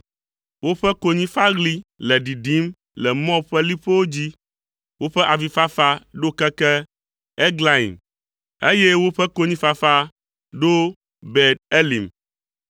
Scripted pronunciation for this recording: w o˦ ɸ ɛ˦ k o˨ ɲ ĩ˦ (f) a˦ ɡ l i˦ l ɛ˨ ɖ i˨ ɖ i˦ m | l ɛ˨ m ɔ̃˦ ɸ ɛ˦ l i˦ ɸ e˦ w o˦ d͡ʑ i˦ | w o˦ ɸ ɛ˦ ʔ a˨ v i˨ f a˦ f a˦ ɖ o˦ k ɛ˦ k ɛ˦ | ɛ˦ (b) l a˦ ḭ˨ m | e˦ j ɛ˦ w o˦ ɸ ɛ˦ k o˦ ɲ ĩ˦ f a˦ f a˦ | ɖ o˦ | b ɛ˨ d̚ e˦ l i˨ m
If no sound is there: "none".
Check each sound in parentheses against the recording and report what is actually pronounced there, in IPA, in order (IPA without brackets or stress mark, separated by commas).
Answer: f, ɡ